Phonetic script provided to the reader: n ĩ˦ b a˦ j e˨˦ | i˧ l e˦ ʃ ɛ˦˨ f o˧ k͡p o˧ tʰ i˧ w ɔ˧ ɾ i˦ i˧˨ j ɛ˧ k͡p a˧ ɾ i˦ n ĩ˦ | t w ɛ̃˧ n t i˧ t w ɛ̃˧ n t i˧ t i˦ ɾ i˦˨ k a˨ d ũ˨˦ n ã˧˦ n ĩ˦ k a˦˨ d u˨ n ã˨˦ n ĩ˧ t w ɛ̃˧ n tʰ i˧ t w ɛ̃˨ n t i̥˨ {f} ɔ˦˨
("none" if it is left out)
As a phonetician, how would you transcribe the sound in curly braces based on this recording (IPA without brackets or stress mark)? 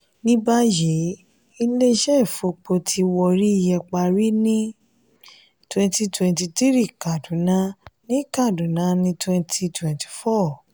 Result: f